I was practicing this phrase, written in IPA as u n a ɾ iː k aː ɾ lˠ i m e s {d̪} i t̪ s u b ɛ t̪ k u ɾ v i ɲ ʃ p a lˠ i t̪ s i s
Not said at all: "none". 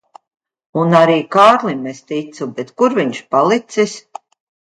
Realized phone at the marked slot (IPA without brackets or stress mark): t̪